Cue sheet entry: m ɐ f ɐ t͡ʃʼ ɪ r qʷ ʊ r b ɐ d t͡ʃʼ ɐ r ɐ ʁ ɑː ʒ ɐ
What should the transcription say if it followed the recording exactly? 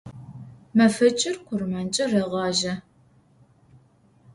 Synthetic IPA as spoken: m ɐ f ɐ t͡ʃʼ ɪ r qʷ ʊ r m ɐ n t͡ʃʼ ɐ r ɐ ʁ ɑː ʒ ɐ